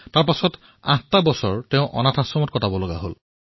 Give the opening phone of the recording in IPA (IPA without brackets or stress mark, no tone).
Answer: t